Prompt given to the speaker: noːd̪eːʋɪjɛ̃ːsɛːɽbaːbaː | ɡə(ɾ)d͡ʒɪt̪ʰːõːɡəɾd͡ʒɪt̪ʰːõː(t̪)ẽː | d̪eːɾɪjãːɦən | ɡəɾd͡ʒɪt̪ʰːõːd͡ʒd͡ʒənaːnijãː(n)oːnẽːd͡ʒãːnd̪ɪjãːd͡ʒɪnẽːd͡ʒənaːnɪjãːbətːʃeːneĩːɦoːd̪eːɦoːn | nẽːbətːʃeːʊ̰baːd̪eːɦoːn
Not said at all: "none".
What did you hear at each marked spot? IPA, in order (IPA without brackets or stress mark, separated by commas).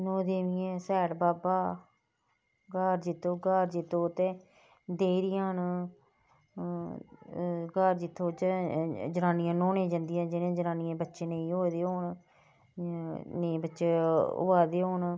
ɾ, t̪, n